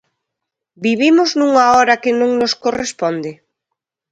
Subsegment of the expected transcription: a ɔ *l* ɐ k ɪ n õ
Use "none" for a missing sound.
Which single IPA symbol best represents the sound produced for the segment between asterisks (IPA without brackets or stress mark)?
ɾ